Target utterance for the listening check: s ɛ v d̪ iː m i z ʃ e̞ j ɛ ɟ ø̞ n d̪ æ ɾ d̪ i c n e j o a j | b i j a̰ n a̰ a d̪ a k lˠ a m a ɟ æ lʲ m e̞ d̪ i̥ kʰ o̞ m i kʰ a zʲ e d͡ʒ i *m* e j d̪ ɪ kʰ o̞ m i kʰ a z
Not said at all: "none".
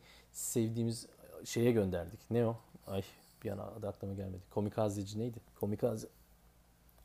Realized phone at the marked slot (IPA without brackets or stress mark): n